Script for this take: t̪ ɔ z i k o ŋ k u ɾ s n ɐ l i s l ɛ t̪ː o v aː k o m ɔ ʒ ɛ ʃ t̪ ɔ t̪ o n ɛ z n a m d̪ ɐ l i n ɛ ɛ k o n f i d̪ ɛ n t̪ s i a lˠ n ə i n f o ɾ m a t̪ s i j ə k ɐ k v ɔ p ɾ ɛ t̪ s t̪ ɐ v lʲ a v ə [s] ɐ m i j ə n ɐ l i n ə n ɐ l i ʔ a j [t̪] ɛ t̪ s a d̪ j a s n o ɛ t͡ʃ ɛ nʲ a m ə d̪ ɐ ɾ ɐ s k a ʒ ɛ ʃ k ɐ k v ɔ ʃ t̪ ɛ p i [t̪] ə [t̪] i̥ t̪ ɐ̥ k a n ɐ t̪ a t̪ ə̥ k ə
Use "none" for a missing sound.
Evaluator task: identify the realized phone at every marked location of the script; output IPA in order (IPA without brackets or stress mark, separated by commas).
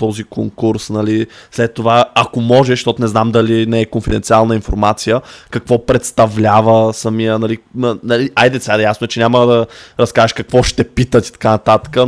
s, d̪, t̪, t̪